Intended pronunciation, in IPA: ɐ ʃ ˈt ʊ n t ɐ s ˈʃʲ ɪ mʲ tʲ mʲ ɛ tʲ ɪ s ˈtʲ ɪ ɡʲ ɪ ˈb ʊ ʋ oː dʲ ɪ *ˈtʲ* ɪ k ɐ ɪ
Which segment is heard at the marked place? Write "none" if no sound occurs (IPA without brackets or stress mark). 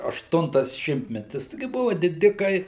dʲ